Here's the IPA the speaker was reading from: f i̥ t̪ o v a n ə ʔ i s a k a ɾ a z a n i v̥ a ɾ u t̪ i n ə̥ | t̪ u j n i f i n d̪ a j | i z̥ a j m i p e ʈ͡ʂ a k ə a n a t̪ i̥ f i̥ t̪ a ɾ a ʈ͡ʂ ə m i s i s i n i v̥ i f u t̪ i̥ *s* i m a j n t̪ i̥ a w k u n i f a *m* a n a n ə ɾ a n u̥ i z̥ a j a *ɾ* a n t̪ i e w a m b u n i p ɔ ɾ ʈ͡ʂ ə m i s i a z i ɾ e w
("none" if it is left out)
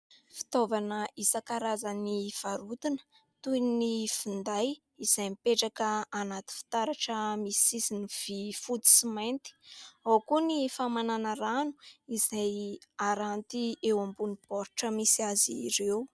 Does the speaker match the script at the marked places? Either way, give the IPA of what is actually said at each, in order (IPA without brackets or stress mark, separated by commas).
s, m, ɾ